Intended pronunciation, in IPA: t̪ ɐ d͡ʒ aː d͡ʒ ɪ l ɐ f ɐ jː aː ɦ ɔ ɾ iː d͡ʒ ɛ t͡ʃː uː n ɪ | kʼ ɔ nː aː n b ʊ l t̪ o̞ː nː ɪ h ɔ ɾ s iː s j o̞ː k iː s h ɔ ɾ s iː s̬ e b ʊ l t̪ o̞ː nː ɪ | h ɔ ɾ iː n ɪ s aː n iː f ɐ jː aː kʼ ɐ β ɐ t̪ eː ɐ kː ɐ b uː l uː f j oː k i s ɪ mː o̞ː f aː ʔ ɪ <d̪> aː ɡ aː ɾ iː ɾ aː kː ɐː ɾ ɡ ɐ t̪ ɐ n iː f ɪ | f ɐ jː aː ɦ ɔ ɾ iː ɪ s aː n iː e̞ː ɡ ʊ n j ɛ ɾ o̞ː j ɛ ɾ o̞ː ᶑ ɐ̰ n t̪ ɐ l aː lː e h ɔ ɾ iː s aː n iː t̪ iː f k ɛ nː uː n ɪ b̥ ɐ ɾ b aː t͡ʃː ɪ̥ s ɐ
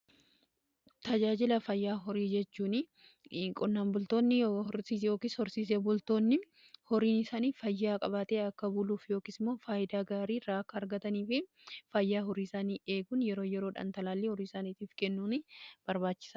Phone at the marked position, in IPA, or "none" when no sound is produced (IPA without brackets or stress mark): d̪